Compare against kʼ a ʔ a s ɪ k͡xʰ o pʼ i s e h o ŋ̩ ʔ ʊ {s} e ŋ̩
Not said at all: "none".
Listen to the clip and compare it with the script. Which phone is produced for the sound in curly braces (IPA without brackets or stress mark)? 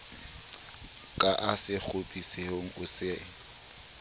s